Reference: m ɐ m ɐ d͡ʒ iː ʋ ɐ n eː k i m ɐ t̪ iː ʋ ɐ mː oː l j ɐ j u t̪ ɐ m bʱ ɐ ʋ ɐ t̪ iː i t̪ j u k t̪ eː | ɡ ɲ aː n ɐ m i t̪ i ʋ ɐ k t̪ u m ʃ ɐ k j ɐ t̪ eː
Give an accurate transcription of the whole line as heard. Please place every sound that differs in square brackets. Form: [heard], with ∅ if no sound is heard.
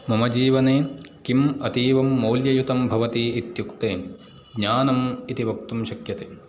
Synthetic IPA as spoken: m ɐ m ɐ d͡ʒ iː ʋ ɐ n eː k i m ɐ t̪ iː ʋ ɐ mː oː l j ɐ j u t̪ ɐ m bʱ ɐ ʋ ɐ t̪ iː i t̪ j u k t̪ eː | ɡ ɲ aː n ɐ m i t̪ i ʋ ɐ k t̪ u m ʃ ɐ k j ɐ t̪ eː